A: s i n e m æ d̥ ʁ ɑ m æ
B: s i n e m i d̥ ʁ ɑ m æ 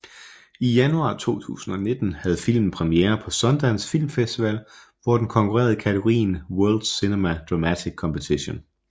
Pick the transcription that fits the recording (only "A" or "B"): A